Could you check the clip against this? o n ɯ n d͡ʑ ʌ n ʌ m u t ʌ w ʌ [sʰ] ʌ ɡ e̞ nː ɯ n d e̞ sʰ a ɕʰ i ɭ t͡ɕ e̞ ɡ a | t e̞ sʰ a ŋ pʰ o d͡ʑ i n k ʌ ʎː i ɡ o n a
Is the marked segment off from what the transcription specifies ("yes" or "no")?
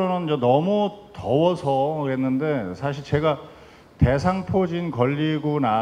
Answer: no